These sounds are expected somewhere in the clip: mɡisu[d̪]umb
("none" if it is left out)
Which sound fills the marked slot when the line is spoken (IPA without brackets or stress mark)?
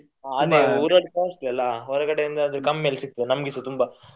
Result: t̪